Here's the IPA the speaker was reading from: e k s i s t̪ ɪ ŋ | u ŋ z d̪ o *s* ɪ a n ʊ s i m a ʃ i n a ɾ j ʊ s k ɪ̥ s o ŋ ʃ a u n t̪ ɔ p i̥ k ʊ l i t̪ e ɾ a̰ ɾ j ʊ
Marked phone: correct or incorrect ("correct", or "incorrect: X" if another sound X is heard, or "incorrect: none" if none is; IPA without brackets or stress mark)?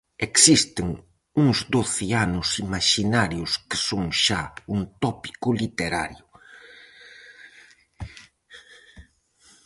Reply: incorrect: θ